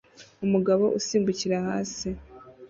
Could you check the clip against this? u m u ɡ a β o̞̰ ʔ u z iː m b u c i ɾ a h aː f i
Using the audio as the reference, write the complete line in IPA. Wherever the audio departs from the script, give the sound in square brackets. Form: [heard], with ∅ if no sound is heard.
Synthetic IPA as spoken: u m u ɡ a β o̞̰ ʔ u [s] iː m b u c i ɾ a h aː [s] i